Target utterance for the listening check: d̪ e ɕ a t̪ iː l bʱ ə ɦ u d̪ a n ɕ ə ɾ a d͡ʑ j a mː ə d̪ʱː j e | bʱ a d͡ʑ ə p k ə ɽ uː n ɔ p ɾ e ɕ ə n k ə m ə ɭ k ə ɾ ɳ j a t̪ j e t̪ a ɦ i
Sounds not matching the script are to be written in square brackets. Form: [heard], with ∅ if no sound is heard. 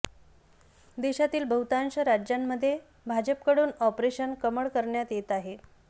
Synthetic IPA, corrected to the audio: d̪ e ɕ a t̪ iː l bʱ ə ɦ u [t̪] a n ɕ ə ɾ a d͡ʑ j a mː ə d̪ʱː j e | bʱ a d͡ʑ ə p k ə ɽ uː n ɔ p ɾ e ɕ ə n k ə m ə ɭ k ə ɾ ɳ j a t̪ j e t̪ a ɦ [e]